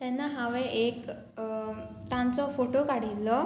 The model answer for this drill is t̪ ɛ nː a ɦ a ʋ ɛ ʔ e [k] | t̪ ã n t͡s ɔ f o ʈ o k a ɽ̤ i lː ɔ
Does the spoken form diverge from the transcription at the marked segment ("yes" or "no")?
no